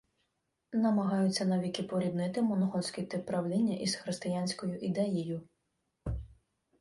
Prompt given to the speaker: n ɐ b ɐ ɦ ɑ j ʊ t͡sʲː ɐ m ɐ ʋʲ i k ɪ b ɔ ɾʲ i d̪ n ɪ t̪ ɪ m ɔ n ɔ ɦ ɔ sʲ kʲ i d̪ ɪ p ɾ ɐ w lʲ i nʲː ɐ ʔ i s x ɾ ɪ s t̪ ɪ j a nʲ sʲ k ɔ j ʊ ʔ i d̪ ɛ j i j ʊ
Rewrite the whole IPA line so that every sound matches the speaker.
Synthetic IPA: n ɐ m ɐ ɦ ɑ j ʊ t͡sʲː ɐ n ɐ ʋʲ i k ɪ p ɔ ɾʲ i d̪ n ɪ t̪ ɪ m ɔ n ɔ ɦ ɔ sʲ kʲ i t̪ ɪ p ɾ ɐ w lʲ i nʲː ɐ ʔ i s x ɾ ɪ s t̪ ɪ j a nʲ sʲ k ɔ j ʊ ʔ i d̪ ɛ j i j ʊ